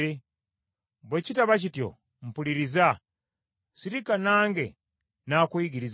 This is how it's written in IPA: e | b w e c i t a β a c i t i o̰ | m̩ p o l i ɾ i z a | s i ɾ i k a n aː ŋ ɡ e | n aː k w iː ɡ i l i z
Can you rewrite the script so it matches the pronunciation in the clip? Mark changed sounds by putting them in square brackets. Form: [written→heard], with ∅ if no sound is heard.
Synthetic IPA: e | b w e c i t a β a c i t [i→j] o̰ | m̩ p [o→u] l i ɾ i z a | s i ɾ i k a n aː ŋ ɡ e | n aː k w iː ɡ i [l→ɾ] i z

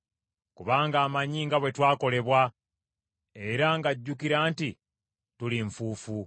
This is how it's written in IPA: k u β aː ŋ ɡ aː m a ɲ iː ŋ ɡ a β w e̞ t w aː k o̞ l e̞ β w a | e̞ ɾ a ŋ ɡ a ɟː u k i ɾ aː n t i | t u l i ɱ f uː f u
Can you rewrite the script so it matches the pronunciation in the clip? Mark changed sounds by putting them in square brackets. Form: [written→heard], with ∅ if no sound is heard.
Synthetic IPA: k u β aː ŋ ɡ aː m a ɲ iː ŋ ɡ a β w e̞ t w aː k o̞ l e̞ β w a | e̞ ɾ a ŋ ɡ a ɟː u k i ɾ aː n t i | t u l i ɱ f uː f u

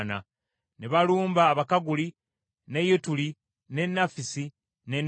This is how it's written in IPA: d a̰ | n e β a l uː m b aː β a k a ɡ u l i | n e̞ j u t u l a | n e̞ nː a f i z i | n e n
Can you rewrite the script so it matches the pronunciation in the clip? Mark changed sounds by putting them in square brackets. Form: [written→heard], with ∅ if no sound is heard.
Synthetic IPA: [d→n] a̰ | n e β a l uː m b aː β a k a ɡ u l i | n e̞ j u t u l [a→i] | n e̞ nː a f i [z→s] i | n e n

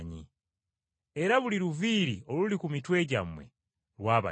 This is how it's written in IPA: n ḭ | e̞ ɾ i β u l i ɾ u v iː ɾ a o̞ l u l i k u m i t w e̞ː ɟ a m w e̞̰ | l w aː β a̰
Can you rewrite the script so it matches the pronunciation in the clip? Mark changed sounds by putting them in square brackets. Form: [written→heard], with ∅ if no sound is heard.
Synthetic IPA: [n→ɲ] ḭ | e̞ ɾ [i→a] β u l i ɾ u v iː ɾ [a→i] o̞ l u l i k u m i t w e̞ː ɟ a m w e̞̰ | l w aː β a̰

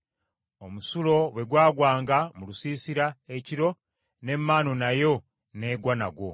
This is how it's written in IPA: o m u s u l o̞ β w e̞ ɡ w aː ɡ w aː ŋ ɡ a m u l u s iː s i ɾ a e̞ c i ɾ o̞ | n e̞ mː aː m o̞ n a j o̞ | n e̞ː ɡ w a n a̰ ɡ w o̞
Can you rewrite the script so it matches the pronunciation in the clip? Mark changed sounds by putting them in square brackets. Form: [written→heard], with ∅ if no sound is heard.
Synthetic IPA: o m u s u l o̞ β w e̞ ɡ w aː ɡ w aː ŋ ɡ a m u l u s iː s i ɾ a e̞ c i ɾ o̞ | n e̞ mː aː [m→n] o̞ n a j o̞ | n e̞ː ɡ w a n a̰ ɡ w o̞

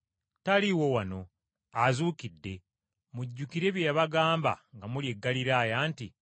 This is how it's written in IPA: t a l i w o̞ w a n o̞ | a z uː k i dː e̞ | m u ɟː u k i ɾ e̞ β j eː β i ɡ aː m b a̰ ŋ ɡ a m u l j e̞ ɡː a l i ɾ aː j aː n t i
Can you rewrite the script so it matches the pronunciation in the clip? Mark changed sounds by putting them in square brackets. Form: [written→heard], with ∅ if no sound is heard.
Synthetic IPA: t a l i w o̞ w a n o̞ | a z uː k i dː e̞ | m u ɟː u k i ɾ e̞ β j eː β [i→a] ɡ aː m b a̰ ŋ ɡ a m u l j e̞ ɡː a l i ɾ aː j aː n t i

